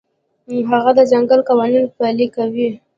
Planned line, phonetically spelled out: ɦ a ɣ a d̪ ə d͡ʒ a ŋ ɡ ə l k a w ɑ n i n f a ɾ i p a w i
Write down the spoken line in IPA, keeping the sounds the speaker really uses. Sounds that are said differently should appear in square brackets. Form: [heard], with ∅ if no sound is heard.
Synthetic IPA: ɦ a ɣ a d̪ ə d͡ʒ a ŋ ɡ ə l k a w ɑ n i n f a [l] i [k] a w i